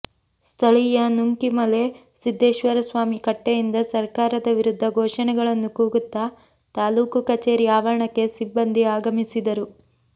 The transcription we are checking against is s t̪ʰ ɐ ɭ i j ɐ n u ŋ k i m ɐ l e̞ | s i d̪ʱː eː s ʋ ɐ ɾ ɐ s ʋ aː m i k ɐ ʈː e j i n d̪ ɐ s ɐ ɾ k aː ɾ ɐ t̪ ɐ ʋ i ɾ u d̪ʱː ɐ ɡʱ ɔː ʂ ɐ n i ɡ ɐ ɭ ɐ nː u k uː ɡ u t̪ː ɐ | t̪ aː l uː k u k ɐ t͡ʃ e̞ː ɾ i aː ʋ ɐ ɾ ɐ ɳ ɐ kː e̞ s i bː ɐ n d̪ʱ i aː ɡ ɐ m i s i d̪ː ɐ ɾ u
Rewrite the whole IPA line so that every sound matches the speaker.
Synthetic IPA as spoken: s t̪ʰ ɐ ɭ i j ɐ n u ŋ k i m ɐ l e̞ | s i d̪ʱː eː ʃ ʋ ɐ ɾ ɐ s ʋ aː m i k ɐ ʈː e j i n d̪ ɐ s ɐ ɾ k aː ɾ ɐ d̪ ɐ ʋ i ɾ u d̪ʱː ɐ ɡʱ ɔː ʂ ɐ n ɛ ɡ ɐ ɭ ɐ nː u k uː ɡ u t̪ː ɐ | t̪ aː l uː k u k ɐ t͡ʃ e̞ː ɾ i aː ʋ ɐ ɾ ɐ ɳ ɐ kː e̞ s i bː ɐ n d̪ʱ i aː ɡ ɐ m i s i d̪ ɐ ɾ u